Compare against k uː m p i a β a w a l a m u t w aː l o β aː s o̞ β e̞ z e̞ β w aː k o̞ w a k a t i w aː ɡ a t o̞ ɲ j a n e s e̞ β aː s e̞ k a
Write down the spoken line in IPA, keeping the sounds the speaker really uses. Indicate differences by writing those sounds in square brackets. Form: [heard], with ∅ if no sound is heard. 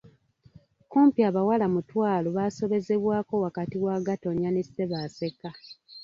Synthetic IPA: k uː m p i a β a w a l a m u t w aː l o β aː s o̞ β e̞ z e̞ β w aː k o̞ w a k a t i w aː ɡ a t o̞ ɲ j a n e s e̞ β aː s e̞ k a